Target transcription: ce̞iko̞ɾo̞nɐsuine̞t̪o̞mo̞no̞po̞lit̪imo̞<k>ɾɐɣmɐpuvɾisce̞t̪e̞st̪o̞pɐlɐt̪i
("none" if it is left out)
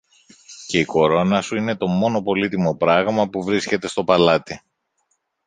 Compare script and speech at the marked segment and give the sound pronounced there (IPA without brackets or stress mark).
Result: p